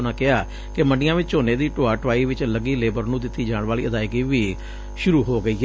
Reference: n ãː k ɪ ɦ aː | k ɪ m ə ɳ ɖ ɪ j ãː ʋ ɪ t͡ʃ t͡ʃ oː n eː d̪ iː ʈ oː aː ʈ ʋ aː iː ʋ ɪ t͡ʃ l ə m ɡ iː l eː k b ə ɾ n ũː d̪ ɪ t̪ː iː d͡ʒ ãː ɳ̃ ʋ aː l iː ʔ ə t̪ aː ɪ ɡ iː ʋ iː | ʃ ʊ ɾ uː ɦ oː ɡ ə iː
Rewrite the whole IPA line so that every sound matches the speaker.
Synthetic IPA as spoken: n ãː k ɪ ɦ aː | k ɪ m ə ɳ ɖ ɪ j ãː ʋ ɪ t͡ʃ t͡ʃ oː n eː d̪ iː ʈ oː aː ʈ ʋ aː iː ʋ ɪ t͡ʃ l ə ɡ iː l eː b ə ɾ n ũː d̪ ɪ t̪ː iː d͡ʒ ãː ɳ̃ ʋ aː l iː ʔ ə d̪ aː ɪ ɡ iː ʋ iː | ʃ ʊ ɾ uː ɦ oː ɡ ə iː

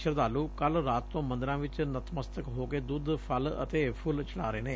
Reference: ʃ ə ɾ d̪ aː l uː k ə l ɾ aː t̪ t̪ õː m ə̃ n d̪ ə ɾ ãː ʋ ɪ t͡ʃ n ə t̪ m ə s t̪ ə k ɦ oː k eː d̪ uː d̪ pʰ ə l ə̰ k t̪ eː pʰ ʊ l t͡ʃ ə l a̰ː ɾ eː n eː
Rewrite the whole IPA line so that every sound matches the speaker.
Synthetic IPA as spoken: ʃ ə ɾ d̪ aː l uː k ə l ɾ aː t̪ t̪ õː m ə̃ n d̪ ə ɾ ãː ʋ ɪ t͡ʃ n ə t̪ m ə s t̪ ə k ɦ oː k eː d̪ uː d̪ pʰ ə l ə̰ t̪ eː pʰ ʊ l t͡ʃ ə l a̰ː ɾ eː n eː

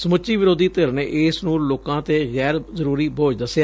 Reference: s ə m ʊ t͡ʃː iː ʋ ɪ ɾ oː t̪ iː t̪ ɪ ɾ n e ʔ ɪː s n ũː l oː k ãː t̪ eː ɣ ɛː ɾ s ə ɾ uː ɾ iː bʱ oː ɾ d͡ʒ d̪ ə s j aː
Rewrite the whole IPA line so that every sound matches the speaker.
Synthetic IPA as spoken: s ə m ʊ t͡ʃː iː ʋ ɪ ɾ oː d̪ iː t̪ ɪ ɾ n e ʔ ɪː s n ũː l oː k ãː t̪ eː ɣ ɛː ɾ z ə ɾ uː ɾ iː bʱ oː d͡ʒ d̪ ə s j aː

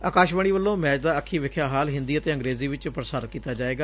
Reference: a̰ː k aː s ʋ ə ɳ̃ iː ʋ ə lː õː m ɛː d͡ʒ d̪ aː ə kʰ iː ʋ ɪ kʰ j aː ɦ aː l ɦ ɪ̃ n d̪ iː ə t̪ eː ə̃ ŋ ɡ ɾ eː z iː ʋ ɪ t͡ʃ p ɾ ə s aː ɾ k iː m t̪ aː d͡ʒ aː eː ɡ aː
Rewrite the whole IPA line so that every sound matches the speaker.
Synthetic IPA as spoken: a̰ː k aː ʃ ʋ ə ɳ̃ iː ʋ ə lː õː m ɛː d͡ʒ d̪ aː ə kʰ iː ʋ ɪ kʰ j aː ɦ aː l ɦ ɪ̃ n d̪ iː ə t̪ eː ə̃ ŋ ɡ ɾ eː z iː ʋ ɪ t͡ʃ p ɾ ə s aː ɾ k iː t̪ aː d͡ʒ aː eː ɡ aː

